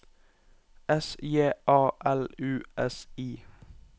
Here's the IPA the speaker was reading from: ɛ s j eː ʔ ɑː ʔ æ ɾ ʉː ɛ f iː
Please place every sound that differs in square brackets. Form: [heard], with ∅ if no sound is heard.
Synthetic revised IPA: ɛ s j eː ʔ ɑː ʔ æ [l] ʉː ɛ [s] iː